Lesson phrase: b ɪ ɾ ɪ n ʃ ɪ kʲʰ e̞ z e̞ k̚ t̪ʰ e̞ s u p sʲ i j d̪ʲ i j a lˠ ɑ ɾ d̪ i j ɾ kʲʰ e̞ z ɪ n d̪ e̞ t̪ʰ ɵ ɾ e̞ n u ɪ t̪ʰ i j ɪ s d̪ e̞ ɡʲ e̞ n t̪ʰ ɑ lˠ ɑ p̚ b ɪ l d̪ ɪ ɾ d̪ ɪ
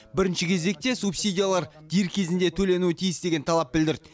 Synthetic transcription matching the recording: b ɪ ɾ ɪ n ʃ ɪ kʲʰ e̞ z e̞ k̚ t̪ e̞ s u p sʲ i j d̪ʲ i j a lˠ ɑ ɾ d̪ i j ɾ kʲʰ e̞ z ɪ n d̪ e̞ t̪ʰ ɵ l e̞ n u ɪ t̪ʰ i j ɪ s d̪ e̞ ɡʲ e̞ n t̪ʰ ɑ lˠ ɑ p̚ b ɪ l d̪ ɪ ɾ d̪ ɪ